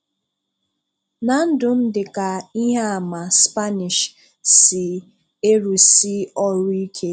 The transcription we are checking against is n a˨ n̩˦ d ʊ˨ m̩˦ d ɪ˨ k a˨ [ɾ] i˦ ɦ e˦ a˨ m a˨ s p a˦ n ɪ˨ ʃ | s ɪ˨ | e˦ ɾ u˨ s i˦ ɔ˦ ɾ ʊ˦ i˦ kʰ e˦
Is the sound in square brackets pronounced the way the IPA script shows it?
no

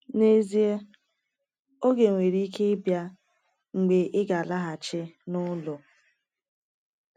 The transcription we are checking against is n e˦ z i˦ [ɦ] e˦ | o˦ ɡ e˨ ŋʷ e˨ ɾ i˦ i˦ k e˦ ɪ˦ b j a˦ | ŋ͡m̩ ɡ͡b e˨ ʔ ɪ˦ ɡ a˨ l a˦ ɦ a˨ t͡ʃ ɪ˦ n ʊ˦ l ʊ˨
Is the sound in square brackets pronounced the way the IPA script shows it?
no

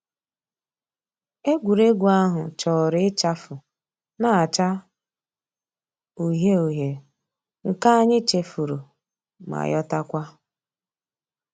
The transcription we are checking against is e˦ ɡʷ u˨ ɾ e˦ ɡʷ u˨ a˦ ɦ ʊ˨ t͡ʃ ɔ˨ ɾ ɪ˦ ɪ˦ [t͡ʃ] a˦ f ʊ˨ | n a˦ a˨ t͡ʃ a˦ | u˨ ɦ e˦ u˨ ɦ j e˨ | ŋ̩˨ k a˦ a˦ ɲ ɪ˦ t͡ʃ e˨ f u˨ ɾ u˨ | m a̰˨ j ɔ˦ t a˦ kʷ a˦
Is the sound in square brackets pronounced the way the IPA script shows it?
yes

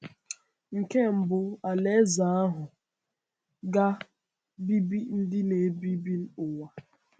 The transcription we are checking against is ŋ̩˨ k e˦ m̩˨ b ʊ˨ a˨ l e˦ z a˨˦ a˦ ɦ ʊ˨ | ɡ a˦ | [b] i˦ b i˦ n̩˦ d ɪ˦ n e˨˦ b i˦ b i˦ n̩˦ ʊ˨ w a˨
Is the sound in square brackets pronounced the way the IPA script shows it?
yes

